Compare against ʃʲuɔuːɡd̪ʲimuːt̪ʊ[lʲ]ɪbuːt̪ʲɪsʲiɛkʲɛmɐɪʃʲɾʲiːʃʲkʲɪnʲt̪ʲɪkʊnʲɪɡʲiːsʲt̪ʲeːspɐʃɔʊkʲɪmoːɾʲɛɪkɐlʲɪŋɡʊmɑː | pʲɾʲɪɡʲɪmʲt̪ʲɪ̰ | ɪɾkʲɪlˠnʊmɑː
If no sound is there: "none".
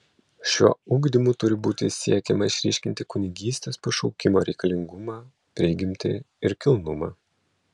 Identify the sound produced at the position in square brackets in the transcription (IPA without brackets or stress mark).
ɾʲ